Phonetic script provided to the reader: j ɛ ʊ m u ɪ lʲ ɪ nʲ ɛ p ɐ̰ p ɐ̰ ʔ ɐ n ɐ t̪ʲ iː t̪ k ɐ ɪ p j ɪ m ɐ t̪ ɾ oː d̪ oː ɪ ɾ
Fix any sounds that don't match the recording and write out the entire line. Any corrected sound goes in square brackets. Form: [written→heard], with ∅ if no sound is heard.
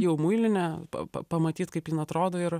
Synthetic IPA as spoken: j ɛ ʊ m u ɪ lʲ ɪ nʲ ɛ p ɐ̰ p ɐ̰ [ʔ→p] ɐ [n→m] ɐ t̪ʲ iː t̪ k ɐ ɪ p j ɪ [m→n] ɐ t̪ ɾ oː d̪ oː ɪ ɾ